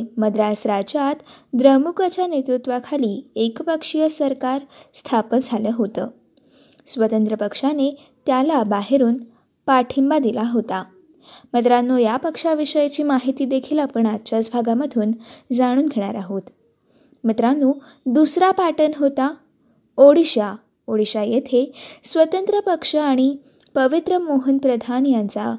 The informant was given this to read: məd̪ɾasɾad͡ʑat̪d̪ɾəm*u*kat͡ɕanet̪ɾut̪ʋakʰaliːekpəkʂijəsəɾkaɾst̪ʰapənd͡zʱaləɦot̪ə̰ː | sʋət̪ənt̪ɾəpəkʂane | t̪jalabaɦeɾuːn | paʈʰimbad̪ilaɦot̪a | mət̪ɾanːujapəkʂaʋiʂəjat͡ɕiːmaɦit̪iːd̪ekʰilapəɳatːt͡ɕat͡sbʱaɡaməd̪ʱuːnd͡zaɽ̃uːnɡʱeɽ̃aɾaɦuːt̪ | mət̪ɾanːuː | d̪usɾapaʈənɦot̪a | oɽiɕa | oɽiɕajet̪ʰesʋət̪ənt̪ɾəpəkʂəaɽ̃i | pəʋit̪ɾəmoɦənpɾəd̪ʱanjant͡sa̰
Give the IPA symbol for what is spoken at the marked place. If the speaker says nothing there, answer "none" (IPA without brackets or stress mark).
u